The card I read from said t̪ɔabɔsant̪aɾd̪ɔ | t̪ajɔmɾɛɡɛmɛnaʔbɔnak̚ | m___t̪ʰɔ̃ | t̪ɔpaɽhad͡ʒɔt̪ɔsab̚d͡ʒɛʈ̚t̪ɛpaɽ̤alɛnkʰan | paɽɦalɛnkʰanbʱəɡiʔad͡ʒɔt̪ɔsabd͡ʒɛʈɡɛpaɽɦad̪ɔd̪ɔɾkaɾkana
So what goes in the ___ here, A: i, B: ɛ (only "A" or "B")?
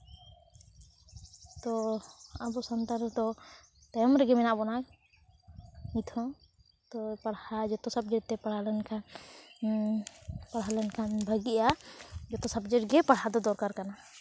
A